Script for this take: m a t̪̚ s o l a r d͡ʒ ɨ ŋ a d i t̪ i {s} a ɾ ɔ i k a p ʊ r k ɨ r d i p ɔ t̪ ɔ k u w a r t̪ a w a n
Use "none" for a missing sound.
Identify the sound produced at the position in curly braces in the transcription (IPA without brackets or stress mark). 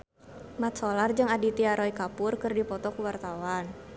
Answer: none